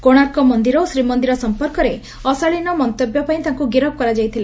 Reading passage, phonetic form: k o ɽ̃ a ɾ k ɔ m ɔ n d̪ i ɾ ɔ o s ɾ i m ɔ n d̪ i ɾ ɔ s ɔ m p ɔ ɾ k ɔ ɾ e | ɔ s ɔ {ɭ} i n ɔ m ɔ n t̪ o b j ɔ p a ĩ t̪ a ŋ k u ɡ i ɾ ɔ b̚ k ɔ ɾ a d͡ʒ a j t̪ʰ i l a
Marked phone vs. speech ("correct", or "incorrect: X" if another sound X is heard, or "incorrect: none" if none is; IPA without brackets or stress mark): correct